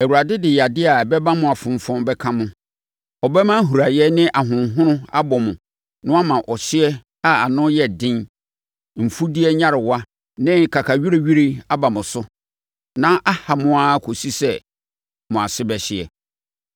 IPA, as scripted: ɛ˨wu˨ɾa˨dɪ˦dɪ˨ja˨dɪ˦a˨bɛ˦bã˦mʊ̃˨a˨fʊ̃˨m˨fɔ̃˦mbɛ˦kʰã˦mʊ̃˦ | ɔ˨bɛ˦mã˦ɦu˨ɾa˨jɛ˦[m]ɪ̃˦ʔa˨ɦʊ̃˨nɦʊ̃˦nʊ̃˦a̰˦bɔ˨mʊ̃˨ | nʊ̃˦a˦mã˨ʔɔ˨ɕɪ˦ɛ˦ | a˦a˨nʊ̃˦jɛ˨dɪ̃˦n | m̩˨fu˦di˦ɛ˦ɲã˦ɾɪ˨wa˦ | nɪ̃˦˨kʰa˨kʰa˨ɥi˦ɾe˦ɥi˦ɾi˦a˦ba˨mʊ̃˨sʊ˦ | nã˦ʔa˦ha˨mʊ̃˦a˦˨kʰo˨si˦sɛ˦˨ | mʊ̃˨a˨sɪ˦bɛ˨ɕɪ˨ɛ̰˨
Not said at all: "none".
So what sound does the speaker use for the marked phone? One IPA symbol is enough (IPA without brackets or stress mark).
n